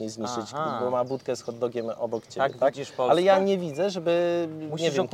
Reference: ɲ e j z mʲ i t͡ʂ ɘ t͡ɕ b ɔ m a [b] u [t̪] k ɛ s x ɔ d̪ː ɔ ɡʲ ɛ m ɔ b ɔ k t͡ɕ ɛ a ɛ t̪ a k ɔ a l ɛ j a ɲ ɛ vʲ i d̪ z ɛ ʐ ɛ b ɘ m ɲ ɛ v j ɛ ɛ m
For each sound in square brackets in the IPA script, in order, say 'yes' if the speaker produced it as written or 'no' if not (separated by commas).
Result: yes, yes